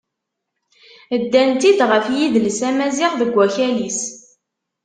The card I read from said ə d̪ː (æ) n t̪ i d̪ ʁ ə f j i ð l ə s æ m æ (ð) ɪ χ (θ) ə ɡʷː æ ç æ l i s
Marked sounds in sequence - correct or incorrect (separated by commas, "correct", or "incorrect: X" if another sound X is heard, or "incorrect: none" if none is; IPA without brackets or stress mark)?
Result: correct, incorrect: z, incorrect: ð